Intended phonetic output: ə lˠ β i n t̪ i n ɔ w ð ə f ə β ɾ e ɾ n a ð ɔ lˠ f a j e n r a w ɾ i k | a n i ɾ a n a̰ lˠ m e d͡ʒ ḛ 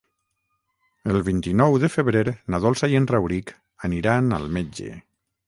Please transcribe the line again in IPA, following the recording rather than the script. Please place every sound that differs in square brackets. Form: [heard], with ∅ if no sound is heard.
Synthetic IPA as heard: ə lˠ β i n t̪ i n ɔ w ð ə f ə β ɾ e ɾ n a ð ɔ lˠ [s] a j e n r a w ɾ i k | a n i ɾ a n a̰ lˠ m e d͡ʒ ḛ